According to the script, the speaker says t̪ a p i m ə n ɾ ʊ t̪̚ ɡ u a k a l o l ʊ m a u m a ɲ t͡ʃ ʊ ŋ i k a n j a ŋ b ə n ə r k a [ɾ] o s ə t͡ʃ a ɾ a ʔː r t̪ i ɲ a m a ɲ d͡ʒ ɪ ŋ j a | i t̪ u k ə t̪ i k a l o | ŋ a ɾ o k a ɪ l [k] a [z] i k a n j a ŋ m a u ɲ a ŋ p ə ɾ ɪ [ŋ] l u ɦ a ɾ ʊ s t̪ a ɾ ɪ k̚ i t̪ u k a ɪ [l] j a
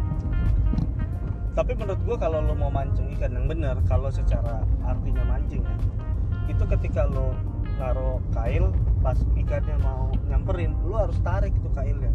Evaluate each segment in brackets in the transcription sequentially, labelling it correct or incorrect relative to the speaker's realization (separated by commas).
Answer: incorrect, incorrect, incorrect, incorrect, correct